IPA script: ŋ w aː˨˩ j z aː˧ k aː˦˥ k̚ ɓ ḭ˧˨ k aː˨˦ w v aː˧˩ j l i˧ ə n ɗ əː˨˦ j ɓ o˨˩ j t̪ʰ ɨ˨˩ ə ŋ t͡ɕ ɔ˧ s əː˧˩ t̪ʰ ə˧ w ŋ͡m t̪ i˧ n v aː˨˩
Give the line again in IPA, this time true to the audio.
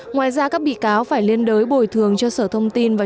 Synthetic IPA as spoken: ŋ w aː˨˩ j z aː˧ k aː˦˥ k̚ ɓ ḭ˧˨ k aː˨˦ w f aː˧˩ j l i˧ ə n ɗ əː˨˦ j ɓ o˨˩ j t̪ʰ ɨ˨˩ ə ŋ t͡ɕ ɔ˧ s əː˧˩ t̪ʰ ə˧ w ŋ͡m t̪ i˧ n v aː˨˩